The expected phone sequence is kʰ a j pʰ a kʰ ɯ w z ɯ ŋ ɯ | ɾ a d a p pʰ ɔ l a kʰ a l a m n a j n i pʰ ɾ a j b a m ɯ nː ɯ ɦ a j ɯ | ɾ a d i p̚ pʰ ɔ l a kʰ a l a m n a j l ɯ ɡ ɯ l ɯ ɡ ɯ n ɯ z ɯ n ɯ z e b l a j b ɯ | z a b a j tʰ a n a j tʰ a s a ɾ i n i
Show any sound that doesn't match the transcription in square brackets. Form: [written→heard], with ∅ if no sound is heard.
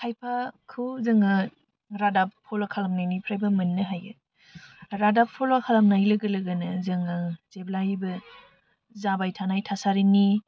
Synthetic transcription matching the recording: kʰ a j pʰ a kʰ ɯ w z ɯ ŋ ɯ | ɾ a d a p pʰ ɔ l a kʰ a l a m n a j n i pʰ ɾ a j b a m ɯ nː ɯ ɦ a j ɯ | ɾ a d [i→a] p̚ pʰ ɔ l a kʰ a l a m n a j l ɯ ɡ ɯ l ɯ ɡ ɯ n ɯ z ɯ [n→ŋ] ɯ z e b l a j b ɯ | z a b a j tʰ a n a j tʰ a s a ɾ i n i